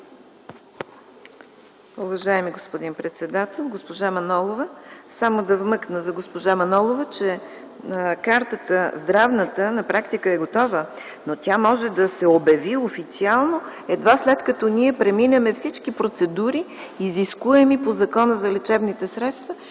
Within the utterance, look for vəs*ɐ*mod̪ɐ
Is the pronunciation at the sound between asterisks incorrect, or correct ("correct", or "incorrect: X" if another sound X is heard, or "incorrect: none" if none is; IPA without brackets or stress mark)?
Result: incorrect: a